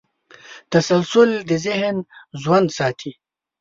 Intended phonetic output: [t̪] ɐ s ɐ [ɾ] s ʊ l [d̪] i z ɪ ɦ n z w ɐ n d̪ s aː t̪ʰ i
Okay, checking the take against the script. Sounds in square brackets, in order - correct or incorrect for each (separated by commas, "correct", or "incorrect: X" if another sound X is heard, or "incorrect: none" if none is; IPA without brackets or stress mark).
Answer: correct, incorrect: l, correct